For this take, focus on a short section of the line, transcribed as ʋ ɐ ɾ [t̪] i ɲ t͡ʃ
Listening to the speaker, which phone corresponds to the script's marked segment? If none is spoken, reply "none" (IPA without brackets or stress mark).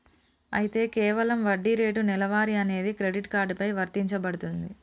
t̪